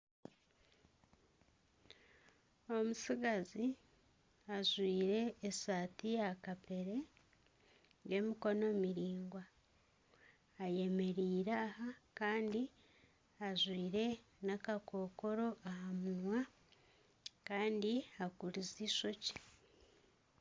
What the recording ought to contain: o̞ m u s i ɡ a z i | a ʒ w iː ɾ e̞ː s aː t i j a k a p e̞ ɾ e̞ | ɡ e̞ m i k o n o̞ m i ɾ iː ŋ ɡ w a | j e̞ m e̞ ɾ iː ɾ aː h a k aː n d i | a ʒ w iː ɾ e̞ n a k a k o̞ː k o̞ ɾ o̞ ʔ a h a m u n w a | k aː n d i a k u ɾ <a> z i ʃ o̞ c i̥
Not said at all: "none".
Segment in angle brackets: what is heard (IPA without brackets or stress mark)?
i